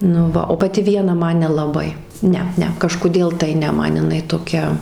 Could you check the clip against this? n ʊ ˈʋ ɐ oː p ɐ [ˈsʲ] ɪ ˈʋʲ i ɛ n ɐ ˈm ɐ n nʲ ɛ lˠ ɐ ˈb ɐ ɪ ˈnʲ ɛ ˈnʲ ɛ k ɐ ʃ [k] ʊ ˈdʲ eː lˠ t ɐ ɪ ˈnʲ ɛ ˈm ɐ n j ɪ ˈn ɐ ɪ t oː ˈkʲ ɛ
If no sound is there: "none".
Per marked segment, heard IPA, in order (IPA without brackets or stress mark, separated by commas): tʲ, k